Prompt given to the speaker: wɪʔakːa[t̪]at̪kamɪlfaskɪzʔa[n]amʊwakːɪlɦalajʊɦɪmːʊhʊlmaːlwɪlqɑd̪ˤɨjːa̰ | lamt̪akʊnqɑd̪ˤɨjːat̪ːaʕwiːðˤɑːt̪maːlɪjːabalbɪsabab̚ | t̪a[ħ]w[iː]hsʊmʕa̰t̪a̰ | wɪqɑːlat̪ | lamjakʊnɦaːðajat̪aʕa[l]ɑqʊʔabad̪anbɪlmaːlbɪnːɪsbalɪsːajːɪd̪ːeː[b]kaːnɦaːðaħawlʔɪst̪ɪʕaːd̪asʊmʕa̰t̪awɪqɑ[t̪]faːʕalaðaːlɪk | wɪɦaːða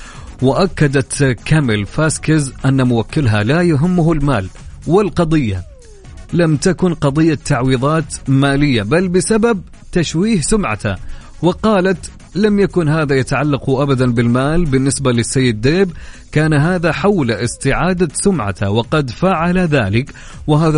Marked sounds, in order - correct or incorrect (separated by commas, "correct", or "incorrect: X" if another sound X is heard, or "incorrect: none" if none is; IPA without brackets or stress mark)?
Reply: incorrect: d̪, incorrect: nː, incorrect: ʃ, correct, incorrect: lː, correct, incorrect: d̪